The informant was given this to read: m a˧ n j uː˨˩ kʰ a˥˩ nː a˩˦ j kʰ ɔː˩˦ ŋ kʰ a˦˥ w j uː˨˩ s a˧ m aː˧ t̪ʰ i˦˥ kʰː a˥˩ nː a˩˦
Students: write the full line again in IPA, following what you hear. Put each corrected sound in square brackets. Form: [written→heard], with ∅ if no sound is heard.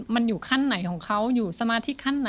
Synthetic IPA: m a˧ n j uː˨˩ kʰ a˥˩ nː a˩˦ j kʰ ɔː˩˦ ŋ kʰ a˦˥ w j uː˨˩ s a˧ m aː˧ t̪ʰ i˦˥ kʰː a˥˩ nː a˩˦